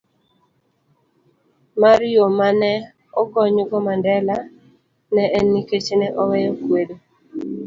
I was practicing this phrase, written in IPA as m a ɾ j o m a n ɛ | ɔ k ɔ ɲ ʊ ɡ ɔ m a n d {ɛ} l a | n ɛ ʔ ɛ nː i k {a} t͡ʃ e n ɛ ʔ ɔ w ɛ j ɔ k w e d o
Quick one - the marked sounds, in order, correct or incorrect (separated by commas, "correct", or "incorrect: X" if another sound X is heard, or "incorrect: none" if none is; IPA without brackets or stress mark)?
correct, incorrect: e